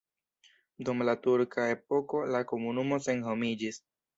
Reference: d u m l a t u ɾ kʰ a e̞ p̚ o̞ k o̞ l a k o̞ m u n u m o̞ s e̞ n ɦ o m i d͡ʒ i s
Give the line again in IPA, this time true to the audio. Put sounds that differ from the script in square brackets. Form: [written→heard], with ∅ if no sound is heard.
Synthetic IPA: d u m l a t u ɾ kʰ a e̞ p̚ o̞ k o̞ l a k o̞ m u n u m o̞ s e̞ n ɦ o m i d͡ʒ i s